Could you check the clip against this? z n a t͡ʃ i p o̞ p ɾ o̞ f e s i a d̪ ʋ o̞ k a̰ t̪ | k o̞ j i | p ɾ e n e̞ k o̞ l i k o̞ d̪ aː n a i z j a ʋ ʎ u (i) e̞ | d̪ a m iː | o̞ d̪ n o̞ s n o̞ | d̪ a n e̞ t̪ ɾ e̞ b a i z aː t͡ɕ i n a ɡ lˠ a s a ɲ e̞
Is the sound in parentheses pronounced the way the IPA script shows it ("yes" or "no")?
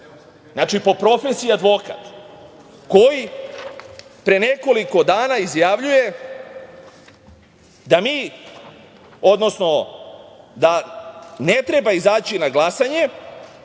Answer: no